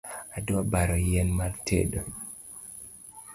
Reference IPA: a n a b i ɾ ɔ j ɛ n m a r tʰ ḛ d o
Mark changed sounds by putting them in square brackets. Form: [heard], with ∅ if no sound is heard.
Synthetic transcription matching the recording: a [d] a b [a] ɾ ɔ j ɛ n m a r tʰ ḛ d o